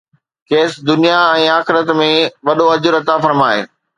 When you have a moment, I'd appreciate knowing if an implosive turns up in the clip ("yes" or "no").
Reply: yes